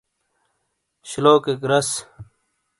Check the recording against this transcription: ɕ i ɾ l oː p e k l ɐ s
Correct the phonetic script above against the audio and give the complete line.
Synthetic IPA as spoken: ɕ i l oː k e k ɾ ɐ s